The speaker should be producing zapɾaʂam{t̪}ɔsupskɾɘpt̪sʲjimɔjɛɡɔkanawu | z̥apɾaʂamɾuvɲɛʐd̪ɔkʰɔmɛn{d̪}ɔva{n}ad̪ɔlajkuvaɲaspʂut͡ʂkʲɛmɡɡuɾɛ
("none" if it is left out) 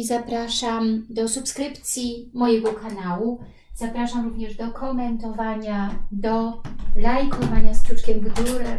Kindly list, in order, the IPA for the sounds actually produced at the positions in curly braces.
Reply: d̪, t̪, ɲ

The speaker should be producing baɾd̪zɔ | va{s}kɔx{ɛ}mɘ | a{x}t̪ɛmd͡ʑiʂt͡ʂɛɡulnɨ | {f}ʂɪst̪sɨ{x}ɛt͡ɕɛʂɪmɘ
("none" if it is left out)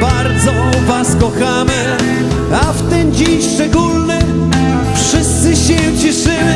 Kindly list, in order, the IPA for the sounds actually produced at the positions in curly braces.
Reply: s, a, f, f, ɕ

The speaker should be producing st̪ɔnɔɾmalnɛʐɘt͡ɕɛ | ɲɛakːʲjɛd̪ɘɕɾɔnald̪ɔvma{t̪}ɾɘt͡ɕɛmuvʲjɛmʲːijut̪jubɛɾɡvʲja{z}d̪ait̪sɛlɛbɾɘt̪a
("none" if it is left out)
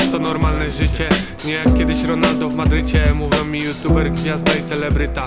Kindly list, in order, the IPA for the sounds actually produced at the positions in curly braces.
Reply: d̪, z

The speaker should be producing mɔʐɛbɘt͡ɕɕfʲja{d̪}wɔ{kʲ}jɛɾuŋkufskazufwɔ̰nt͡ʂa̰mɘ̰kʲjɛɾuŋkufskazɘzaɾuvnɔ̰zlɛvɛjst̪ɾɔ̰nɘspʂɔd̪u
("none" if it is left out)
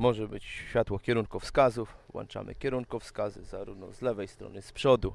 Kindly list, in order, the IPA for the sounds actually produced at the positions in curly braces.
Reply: t̪, kʲ

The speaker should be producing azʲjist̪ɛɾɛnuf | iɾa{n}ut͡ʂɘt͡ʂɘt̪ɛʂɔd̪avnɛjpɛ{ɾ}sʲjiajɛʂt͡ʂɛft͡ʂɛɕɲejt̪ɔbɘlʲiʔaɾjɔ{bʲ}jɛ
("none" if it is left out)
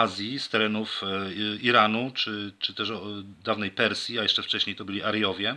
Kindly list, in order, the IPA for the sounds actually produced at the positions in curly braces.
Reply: n, ɾ, vʲ

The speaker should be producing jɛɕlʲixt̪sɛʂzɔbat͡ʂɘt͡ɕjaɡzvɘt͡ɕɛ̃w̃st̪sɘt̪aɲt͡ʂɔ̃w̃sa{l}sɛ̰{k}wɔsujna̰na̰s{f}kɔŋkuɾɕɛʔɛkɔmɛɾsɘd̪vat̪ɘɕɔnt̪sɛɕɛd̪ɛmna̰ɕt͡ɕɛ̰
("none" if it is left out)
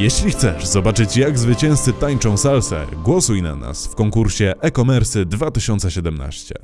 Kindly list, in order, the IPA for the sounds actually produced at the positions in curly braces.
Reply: l, ɡ, f

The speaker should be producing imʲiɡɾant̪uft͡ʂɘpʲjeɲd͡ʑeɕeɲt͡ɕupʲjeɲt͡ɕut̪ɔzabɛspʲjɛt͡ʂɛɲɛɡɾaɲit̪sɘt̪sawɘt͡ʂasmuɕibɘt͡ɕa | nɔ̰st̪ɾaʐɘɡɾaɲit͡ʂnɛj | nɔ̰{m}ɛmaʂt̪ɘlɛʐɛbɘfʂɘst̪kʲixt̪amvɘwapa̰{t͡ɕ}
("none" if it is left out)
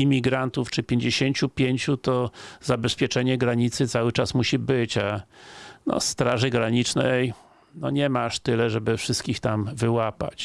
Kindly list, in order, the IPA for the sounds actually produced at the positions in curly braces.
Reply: ɲ, t͡ɕ

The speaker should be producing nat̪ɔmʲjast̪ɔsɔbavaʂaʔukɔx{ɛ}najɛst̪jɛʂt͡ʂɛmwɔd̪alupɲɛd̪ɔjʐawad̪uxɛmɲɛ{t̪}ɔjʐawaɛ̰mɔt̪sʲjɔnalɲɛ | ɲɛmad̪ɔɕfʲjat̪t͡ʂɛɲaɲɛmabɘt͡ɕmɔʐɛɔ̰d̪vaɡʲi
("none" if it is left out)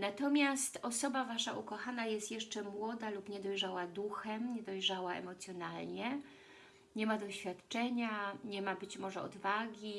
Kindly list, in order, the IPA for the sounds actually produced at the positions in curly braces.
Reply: a, d̪

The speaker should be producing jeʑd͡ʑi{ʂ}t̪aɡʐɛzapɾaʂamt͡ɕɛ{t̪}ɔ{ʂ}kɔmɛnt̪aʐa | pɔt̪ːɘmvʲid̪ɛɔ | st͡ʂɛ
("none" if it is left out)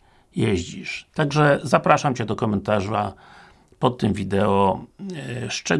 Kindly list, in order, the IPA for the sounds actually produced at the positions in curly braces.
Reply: ʂ, d̪, none

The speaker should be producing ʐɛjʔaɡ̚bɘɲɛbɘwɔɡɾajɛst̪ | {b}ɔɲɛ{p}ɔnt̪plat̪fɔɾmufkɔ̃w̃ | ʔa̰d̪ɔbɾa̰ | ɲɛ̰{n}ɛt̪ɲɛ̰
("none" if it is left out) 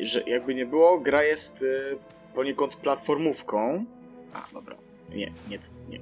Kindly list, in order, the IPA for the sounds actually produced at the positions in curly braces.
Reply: p, k, ɲ

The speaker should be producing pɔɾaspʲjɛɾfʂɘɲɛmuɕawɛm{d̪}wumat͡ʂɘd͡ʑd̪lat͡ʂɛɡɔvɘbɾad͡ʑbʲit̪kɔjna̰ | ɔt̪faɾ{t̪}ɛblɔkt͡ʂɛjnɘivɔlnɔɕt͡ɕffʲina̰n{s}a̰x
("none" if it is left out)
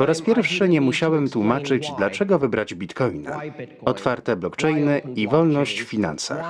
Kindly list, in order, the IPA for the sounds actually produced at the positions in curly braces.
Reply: t̪, t̪, s

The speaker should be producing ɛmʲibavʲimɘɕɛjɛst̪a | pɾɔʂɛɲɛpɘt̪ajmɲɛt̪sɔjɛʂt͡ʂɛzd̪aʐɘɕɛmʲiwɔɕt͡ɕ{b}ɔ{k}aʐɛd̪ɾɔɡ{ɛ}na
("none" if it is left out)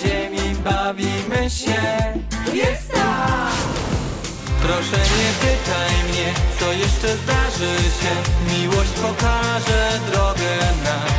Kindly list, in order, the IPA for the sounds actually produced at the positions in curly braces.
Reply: p, k, ɛ

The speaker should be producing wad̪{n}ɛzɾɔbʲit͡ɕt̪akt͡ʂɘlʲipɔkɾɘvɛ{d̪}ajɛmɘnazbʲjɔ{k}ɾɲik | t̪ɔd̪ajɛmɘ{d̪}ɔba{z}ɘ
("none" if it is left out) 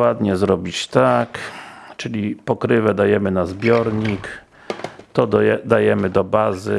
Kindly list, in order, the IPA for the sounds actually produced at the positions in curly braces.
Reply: ɲ, d̪, none, d̪, z

